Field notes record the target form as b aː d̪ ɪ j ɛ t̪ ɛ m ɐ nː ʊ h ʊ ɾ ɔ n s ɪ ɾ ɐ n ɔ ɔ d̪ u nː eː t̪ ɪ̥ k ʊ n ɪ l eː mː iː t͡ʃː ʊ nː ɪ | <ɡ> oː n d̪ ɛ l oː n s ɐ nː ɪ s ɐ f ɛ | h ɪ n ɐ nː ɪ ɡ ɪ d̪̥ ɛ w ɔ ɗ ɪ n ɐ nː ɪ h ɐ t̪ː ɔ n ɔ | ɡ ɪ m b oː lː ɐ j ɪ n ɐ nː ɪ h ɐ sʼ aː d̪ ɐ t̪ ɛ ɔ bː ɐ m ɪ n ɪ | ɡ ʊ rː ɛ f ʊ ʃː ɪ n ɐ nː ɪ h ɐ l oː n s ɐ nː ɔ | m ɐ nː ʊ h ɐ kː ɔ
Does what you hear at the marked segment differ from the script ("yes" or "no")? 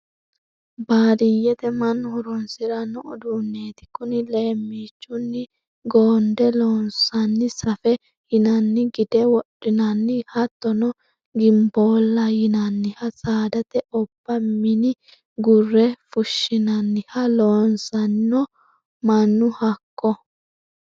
no